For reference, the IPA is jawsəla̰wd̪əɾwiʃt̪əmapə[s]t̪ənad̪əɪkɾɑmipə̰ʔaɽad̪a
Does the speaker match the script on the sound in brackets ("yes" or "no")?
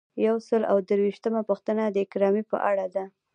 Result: no